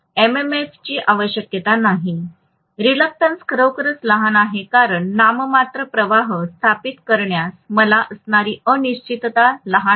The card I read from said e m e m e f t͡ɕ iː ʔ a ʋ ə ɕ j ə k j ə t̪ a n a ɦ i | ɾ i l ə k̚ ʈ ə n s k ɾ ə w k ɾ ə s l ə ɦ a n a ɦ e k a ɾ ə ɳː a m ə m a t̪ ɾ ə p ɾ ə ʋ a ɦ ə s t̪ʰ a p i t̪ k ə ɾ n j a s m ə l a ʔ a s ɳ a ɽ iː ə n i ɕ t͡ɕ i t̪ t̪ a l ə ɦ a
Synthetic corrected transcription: e m e m e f t͡ɕ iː ʔ a ʋ ə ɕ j ə k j ə t̪ a n a ɦ i | ɾ i l ə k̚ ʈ ə n s k ɾ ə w k ɾ ə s l ə ɦ a n a ɦ e k a ɾ ə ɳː a m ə m a t̪ ɾ ə p ɾ ə ʋ a ɦ ə s t̪ʰ a p i t̪ k ə ɾ ɳ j a s m ə l a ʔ ə s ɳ a ɾ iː ə n i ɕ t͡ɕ i t̪ t̪ a l ə ɦ a

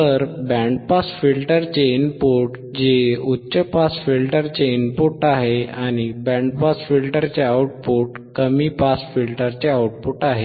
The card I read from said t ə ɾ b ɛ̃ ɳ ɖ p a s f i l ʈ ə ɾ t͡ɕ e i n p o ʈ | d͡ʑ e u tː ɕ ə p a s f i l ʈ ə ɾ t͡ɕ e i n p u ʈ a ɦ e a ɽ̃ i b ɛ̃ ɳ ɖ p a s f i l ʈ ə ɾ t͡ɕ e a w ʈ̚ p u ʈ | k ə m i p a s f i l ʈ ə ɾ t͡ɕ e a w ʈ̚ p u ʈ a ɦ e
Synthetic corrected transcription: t ə ɾ b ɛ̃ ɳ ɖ p a s f i l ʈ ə ɾ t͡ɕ e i n p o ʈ | d͡ʑ e u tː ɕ ə p a s f i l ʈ ə ɾ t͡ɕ e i n p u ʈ a ɦ e a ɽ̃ i b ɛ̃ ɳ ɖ p a s f i l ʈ ə ɾ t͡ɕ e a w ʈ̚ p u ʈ | k ə m i p a s f i l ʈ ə ɾ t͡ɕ e a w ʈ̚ p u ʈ a ɦ e

